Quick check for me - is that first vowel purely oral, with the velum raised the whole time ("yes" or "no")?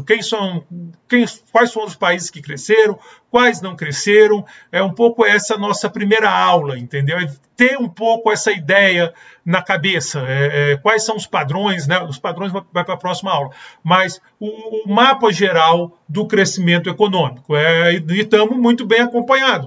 no